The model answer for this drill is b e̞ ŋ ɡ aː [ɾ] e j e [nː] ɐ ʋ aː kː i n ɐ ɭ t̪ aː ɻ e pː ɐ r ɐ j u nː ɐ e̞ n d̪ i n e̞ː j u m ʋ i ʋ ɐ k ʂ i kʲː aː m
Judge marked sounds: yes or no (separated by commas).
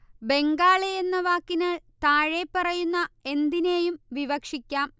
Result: no, yes